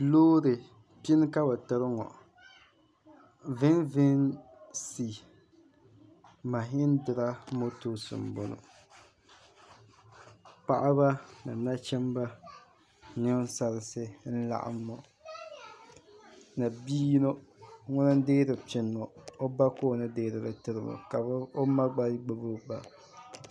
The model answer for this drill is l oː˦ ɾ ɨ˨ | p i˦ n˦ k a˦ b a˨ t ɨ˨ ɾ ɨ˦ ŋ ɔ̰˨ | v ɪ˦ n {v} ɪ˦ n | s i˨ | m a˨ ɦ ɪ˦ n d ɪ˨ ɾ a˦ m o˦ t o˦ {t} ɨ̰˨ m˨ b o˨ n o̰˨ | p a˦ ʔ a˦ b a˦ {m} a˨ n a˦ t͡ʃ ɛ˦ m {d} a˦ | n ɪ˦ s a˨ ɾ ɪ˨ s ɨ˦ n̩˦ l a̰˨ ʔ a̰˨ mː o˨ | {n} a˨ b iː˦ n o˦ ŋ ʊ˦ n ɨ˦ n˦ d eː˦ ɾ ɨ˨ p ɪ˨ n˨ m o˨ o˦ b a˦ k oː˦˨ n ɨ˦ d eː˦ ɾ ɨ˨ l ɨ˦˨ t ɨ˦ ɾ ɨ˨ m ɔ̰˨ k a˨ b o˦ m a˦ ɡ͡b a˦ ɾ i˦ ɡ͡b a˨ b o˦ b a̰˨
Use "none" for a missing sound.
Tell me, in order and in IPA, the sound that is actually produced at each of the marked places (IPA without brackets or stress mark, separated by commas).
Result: v, s, n, b, n